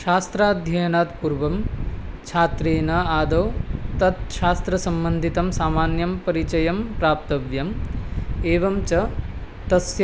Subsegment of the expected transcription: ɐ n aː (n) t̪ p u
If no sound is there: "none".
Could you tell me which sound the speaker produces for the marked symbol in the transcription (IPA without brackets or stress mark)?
none